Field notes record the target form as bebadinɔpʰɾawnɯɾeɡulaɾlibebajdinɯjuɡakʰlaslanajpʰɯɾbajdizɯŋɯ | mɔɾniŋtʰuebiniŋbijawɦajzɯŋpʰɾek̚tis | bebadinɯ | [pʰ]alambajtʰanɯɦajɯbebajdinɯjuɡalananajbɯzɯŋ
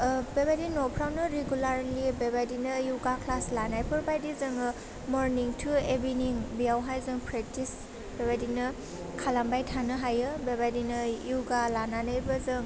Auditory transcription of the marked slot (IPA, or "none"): kʰ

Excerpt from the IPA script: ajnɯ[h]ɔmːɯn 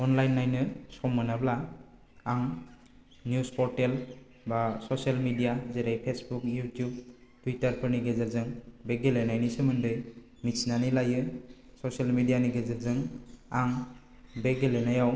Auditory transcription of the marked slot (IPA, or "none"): s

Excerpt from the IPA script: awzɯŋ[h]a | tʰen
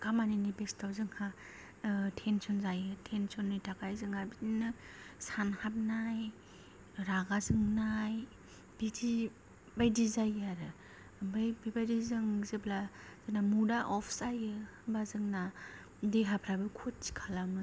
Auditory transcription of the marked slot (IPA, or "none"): h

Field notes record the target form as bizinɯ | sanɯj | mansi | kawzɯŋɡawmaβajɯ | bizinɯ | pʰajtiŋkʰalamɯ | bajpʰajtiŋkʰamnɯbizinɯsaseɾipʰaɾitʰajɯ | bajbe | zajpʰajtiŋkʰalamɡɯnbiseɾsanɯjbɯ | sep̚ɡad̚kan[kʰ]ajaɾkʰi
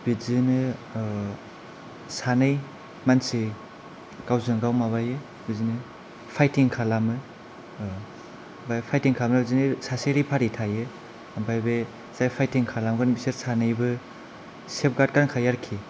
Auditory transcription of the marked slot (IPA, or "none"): kʰ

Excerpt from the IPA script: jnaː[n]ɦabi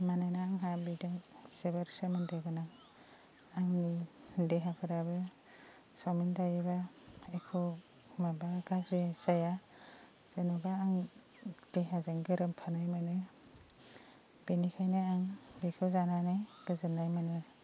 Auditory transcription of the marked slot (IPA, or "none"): ŋ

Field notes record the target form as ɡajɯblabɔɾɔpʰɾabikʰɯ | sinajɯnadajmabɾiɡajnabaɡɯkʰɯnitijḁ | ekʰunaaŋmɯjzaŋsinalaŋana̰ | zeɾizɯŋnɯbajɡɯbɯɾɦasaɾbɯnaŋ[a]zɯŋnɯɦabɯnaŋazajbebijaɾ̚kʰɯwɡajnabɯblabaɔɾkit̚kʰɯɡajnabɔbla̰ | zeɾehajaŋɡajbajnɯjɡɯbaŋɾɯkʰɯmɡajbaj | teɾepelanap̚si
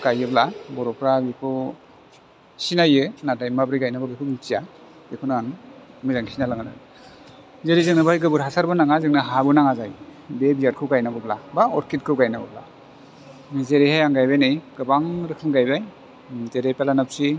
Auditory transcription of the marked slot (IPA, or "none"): a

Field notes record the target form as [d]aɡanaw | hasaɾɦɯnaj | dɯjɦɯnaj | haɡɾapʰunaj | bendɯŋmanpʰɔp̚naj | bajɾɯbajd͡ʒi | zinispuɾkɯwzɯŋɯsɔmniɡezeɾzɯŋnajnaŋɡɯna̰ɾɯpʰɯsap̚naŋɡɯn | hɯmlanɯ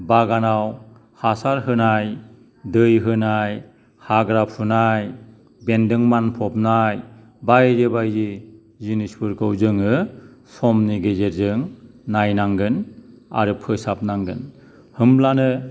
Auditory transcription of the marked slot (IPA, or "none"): b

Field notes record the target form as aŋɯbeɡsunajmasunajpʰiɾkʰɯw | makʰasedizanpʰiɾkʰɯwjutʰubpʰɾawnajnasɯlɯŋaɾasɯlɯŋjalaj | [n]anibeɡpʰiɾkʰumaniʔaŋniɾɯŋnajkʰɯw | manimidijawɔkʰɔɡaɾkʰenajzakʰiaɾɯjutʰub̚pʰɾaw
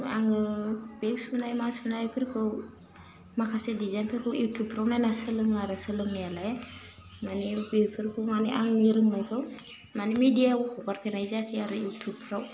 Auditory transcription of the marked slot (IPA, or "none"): m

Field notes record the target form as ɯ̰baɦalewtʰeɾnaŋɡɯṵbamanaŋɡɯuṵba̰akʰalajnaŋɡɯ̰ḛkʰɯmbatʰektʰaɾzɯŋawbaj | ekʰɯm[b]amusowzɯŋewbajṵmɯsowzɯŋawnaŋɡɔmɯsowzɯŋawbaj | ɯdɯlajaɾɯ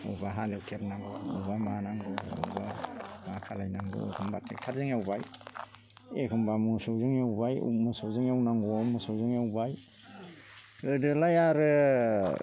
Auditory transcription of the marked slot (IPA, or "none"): b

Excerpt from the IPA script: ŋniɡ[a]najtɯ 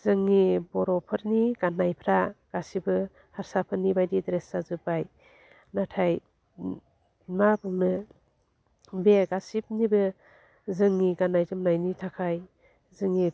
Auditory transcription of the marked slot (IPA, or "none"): a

